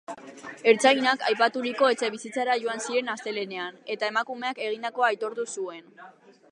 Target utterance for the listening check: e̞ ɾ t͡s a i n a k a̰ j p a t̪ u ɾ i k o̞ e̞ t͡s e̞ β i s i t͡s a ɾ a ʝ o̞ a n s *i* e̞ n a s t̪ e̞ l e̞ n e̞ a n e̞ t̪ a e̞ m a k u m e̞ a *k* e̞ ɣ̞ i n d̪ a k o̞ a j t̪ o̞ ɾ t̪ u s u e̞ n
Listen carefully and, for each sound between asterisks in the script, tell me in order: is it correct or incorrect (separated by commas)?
correct, correct